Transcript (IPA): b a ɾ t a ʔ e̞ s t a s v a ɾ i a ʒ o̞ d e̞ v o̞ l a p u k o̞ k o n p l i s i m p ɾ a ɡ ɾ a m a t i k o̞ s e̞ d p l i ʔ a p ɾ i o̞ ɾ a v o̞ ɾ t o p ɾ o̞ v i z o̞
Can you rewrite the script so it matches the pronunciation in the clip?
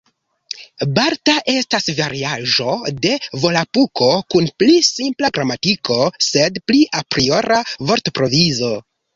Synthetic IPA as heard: b a ɾ t a ʔ e̞ s t a s v a ɾ i a ʒ o̞ d e̞ v o̞ l a p u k o̞ k u n p l i s i m p l a ɡ ɾ a m a t i k o̞ s e̞ d p l i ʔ a p ɾ i o̞ ɾ a v o̞ ɾ t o p ɾ o̞ v i z o̞